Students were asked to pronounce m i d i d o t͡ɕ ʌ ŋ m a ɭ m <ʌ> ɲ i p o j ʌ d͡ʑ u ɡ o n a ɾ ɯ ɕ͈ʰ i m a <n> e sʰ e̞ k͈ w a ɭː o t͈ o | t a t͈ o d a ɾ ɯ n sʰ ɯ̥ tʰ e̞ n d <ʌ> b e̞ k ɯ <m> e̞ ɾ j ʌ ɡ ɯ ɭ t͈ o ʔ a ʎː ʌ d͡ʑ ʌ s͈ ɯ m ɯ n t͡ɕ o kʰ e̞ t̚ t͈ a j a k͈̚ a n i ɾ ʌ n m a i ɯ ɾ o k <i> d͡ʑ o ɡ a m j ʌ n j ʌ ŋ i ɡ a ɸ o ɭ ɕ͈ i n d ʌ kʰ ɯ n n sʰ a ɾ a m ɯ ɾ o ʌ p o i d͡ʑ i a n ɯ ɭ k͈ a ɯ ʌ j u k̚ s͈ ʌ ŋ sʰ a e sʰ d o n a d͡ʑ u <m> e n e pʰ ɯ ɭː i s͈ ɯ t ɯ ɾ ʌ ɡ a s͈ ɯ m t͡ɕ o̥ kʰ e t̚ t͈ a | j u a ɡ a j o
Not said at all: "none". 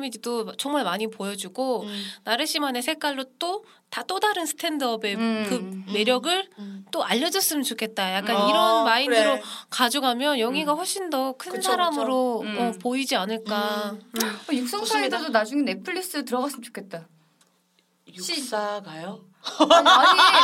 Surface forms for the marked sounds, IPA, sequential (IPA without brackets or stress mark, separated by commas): a, n, ʌ, m, a, ŋ